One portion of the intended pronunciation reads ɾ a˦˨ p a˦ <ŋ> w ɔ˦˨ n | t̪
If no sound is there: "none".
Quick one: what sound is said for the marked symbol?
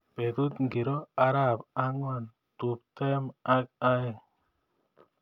ŋ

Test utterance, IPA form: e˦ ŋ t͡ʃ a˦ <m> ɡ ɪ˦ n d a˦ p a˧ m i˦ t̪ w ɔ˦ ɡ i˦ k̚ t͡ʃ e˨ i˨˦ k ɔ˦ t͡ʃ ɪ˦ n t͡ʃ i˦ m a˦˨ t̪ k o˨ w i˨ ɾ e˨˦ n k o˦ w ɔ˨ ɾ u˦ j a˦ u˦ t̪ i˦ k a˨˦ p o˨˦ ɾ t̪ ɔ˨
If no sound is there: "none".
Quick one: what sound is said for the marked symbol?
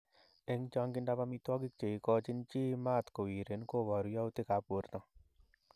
ŋ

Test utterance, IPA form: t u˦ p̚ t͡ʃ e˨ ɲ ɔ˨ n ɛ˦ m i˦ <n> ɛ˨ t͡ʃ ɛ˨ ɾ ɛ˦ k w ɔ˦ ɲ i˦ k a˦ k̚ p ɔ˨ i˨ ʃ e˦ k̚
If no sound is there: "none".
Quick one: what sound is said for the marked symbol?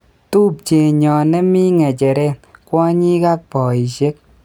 ŋ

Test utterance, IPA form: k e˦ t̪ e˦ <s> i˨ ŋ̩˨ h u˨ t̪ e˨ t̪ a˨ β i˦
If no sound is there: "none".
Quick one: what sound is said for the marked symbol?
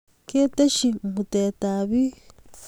ʃ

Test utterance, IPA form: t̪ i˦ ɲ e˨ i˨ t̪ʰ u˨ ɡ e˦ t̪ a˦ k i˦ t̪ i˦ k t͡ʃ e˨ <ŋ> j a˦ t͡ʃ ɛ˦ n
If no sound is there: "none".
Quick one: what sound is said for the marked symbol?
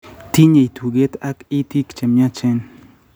m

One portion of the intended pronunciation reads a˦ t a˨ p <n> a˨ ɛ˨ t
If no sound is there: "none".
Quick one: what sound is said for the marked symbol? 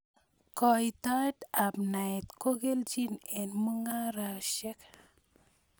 n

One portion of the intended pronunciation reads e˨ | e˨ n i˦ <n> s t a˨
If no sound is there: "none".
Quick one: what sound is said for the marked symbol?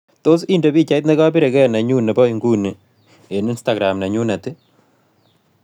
n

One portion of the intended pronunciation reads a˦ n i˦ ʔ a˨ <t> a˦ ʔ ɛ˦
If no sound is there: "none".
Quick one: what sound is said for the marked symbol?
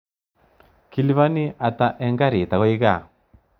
t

